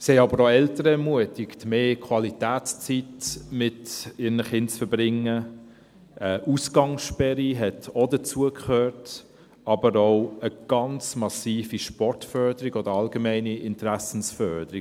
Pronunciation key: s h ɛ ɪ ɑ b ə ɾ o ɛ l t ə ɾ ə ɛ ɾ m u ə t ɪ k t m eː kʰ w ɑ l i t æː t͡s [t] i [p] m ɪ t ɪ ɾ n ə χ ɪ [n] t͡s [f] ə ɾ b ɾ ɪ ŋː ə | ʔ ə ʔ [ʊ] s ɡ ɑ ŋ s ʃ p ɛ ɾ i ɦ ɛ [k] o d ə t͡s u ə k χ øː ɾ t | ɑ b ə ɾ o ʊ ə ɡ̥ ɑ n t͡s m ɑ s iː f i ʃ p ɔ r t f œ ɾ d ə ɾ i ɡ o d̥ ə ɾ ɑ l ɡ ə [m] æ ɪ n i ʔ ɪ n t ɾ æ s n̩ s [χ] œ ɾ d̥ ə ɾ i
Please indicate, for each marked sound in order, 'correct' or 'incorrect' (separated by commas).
incorrect, incorrect, correct, correct, incorrect, incorrect, correct, incorrect